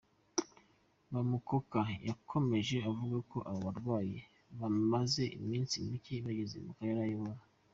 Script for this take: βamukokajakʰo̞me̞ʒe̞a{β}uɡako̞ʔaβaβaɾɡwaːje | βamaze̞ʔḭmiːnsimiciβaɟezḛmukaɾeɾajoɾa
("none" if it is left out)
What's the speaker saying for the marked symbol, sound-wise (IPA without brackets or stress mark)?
v